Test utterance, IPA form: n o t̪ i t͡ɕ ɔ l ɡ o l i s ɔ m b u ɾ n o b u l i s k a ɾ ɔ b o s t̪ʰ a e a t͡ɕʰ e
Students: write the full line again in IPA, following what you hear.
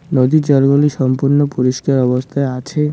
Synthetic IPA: n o d̪ i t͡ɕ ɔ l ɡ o l i ʃ ɔ m p u ɾ n o p u ɾ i ʃ k a ɾ ɔ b o s t̪ʰ a e a t͡ɕʰ e